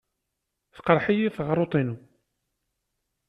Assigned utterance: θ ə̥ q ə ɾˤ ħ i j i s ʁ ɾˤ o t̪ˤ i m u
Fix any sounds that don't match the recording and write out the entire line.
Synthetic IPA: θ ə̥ q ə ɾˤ ħ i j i θ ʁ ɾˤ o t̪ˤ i n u